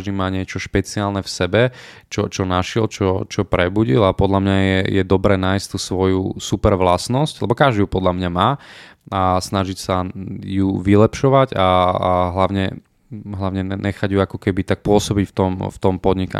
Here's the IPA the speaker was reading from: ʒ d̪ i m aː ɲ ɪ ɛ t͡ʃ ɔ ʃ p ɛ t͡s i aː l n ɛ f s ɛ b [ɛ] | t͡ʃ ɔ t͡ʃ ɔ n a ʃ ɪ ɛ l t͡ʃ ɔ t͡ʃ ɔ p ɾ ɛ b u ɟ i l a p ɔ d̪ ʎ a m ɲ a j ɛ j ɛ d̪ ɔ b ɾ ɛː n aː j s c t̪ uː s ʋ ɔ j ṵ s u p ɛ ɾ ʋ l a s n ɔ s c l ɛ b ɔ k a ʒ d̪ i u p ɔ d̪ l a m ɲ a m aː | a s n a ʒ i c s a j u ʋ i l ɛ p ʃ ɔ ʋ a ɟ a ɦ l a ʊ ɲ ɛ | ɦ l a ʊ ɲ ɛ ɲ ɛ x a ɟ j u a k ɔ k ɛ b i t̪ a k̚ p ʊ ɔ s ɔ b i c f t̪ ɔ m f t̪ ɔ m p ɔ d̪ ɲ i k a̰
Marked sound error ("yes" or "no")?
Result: no